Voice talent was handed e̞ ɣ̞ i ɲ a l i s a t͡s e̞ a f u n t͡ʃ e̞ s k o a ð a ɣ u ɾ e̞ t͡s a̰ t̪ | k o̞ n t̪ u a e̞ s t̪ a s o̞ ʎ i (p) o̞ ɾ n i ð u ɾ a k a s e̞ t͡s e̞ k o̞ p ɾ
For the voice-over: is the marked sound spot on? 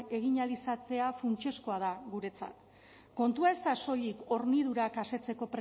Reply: no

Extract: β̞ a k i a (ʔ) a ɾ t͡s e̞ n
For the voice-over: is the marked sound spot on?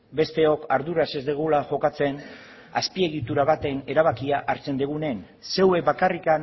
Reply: yes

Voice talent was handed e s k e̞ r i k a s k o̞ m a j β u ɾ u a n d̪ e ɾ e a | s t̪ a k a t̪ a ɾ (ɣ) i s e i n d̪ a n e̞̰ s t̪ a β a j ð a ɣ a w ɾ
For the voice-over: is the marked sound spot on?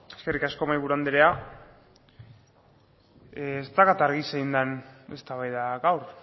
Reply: yes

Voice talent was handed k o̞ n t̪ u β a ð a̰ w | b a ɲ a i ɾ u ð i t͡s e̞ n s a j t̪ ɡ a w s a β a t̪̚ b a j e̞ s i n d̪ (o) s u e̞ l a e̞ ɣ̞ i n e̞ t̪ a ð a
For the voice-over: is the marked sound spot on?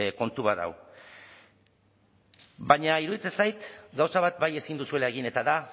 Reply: no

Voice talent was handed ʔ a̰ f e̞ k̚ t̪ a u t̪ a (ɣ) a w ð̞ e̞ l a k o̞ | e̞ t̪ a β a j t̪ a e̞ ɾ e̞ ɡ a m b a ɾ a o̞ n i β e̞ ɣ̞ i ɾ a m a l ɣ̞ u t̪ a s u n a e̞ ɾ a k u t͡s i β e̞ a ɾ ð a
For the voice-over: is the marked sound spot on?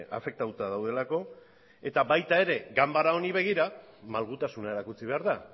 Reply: no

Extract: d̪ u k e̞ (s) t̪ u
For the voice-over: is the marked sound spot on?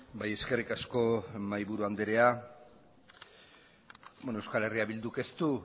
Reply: yes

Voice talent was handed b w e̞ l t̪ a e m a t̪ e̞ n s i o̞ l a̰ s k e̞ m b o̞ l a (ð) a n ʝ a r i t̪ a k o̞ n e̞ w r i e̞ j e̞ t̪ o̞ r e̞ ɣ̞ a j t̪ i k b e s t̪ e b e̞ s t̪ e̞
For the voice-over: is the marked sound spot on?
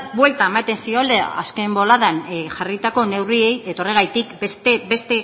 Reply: yes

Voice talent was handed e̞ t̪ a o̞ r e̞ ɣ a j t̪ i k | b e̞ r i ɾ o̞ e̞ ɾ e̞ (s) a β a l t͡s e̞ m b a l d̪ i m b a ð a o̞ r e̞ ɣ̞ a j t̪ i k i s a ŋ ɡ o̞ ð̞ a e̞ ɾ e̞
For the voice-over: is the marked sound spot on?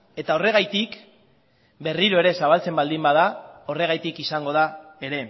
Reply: yes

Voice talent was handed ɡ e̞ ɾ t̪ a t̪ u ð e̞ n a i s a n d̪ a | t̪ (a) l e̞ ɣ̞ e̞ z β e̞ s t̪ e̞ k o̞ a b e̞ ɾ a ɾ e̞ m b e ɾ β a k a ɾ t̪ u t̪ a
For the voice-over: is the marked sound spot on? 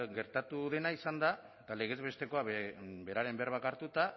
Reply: yes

